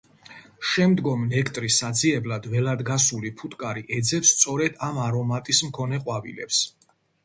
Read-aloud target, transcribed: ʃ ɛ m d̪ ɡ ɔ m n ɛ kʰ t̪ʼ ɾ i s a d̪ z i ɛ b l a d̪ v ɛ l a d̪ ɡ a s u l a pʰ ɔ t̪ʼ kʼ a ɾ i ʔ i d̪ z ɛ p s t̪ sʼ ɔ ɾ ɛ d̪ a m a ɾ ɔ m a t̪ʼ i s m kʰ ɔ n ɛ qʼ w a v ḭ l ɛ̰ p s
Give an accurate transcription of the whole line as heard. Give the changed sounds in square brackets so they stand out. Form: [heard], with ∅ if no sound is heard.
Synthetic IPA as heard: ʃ ɛ m d̪ ɡ ɔ m n ɛ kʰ t̪ʼ ɾ i s a d̪ z i ɛ b l a d̪ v ɛ l a d̪ ɡ a s u l [i] pʰ [u] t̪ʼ kʼ a ɾ i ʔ [ɛ] d̪ z ɛ p s t̪ sʼ ɔ ɾ ɛ d̪ a m a ɾ ɔ m a t̪ʼ i s m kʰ ɔ n ɛ qʼ w a v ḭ l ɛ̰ p s